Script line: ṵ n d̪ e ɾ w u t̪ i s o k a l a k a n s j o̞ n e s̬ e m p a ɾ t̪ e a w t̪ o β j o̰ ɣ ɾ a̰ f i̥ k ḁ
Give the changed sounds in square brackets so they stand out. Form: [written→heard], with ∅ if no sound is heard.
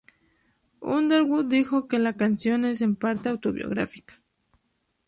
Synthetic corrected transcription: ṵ n d̪ e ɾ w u [t̪→d̪] i [s→x] o k [a→e] l a k a n s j o̞ n e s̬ e m p a ɾ t̪ e a w t̪ o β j o̰ ɣ ɾ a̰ f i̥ k ḁ